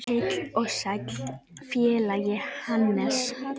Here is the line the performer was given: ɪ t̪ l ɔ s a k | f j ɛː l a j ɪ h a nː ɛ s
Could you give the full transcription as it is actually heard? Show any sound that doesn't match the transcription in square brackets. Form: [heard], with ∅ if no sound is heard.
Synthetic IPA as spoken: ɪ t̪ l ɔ s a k | f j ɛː l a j ɪ h a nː ɛ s